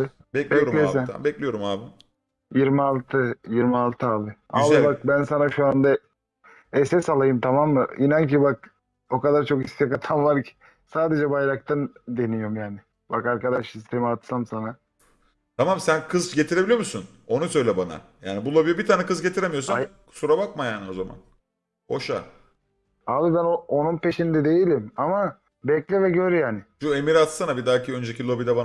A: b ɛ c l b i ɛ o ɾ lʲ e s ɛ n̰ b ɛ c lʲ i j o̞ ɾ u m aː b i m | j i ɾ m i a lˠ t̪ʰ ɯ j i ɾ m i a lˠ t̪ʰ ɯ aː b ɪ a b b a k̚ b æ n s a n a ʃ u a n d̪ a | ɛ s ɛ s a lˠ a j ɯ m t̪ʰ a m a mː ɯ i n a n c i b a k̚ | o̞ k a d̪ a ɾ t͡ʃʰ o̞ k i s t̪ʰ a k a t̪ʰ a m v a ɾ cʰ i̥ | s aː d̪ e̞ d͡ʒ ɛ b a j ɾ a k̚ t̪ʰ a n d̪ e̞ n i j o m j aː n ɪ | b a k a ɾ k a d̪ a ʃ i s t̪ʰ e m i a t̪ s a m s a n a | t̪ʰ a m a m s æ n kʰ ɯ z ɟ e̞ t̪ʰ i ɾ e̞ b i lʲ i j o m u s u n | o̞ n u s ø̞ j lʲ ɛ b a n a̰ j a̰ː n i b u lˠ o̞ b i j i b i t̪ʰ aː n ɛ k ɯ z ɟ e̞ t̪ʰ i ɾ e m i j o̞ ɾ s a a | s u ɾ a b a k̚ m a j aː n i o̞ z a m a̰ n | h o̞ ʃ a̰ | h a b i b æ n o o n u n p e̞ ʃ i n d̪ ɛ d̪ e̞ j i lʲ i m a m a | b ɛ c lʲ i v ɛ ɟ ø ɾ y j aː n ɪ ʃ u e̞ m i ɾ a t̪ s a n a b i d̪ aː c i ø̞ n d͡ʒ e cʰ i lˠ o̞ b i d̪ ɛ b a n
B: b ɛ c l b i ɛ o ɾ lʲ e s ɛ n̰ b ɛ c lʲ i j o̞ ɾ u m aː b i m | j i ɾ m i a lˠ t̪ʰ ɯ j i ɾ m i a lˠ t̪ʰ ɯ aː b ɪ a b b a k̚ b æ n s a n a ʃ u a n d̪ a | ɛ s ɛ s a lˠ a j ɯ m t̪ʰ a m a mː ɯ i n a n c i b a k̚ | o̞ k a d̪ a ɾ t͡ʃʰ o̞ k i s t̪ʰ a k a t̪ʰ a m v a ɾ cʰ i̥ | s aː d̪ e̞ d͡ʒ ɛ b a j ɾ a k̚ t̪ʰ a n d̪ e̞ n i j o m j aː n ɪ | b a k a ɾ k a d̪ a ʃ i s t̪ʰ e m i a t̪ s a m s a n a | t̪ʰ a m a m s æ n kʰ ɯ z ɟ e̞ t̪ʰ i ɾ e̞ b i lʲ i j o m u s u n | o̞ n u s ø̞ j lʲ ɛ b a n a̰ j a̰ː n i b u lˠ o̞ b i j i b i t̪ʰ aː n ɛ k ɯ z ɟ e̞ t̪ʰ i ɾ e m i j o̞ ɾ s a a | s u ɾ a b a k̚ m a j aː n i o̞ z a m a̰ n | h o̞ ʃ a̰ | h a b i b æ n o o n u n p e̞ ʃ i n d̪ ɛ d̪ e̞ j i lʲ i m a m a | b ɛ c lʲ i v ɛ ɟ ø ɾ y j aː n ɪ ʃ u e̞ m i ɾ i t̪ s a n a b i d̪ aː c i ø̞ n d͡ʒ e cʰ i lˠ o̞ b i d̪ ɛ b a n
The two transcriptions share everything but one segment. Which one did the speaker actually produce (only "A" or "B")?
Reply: A